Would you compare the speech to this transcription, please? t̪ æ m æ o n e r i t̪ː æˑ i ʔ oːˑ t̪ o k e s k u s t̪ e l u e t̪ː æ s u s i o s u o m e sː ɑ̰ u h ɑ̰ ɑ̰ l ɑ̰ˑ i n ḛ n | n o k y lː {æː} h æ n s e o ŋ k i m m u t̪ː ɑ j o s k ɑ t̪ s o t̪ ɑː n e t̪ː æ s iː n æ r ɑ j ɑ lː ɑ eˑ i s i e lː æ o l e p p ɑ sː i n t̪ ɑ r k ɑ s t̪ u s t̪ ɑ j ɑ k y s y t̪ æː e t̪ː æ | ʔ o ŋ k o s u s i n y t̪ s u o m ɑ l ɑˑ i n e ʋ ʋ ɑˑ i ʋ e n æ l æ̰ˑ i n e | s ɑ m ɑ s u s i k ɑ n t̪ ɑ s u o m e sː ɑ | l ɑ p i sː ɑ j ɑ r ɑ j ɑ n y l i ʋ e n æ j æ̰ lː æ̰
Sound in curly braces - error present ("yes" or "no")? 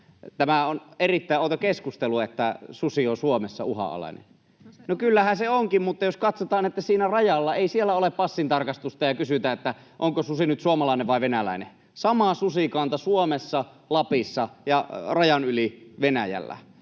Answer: yes